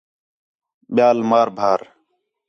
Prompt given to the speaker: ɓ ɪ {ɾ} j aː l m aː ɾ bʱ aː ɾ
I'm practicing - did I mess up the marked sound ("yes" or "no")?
yes